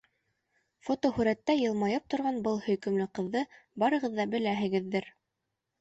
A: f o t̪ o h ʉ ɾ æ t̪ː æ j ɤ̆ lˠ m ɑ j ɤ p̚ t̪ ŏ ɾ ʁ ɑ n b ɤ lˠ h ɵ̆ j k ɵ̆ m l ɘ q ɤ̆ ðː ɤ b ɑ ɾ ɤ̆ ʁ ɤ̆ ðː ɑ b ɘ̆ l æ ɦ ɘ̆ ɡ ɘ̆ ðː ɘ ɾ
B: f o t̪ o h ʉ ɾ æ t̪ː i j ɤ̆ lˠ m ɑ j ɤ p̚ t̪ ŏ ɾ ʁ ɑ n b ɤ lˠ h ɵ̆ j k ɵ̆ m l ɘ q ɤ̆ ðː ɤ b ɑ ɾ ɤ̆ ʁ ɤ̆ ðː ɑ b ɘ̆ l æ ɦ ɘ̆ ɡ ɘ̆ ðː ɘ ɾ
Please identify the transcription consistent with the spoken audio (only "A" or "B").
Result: A